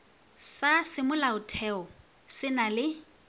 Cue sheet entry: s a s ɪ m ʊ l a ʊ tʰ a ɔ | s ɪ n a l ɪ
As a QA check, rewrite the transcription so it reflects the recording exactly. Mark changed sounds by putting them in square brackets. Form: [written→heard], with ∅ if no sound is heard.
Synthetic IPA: s a s ɪ m ʊ l a ʊ tʰ [a→ɛ] ɔ | s ɪ n a l ɪ